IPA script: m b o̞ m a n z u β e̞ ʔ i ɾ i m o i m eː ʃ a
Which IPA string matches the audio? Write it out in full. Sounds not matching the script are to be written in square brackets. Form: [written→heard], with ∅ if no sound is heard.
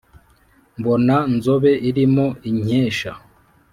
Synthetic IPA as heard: m b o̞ [m→n] a n z [u→o] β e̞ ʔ i ɾ i m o i [m→ɲ] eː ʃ a